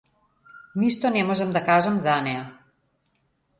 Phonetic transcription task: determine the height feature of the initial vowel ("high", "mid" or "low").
high